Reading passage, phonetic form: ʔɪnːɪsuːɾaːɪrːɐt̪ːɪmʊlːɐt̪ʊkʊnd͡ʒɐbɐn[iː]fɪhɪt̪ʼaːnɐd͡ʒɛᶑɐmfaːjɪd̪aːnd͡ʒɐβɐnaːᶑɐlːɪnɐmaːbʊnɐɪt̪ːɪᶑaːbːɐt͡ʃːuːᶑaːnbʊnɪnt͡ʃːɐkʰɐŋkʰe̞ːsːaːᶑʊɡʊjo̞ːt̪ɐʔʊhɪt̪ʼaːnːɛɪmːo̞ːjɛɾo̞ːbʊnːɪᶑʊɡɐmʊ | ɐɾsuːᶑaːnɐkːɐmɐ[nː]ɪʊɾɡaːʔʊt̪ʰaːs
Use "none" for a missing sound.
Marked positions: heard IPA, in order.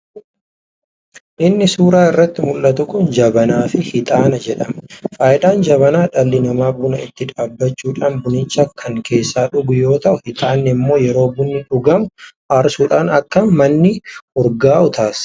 aː, nː

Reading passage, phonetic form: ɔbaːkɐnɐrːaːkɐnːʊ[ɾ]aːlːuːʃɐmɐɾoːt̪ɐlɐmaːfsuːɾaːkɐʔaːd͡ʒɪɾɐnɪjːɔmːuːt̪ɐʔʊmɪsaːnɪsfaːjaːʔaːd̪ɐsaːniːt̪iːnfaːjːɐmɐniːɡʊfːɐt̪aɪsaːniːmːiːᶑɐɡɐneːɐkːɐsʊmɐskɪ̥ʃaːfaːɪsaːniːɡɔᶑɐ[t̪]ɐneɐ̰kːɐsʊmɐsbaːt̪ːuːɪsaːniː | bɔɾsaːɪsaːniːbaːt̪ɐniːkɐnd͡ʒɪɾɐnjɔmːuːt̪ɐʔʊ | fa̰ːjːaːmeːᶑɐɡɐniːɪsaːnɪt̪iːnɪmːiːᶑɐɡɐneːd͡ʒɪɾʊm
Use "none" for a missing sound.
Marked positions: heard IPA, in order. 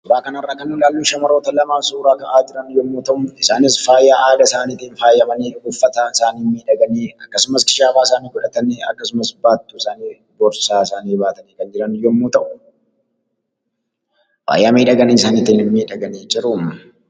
l, t̪

